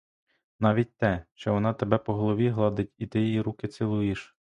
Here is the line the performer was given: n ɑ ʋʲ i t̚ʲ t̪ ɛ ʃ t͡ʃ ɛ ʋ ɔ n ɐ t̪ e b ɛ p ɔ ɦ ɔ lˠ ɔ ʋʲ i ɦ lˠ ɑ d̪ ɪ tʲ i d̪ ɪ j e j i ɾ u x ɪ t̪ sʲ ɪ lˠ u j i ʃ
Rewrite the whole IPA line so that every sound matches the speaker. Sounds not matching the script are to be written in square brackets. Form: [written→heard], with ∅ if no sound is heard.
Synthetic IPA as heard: n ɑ ʋʲ i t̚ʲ t̪ ɛ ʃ t͡ʃ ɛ ʋ ɔ n [ɐ→ɑ] t̪ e b ɛ p ɔ ɦ ɔ lˠ ɔ ʋʲ i ɦ lˠ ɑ d̪ ɪ tʲ i [d̪→t̪] ɪ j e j i ɾ u [x→k] ɪ t̪ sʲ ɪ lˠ u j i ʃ